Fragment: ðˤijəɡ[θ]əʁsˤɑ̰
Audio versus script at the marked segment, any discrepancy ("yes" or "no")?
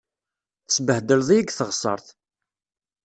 no